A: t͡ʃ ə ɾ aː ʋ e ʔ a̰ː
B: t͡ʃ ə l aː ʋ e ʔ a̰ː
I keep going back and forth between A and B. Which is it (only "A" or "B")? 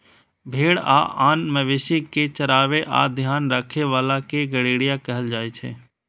A